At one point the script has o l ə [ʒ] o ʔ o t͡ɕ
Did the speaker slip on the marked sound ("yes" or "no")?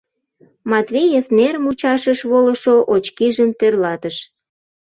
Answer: yes